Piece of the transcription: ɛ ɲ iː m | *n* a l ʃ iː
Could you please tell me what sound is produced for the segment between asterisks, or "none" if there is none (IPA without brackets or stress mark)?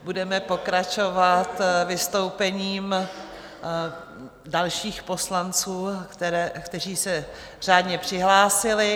d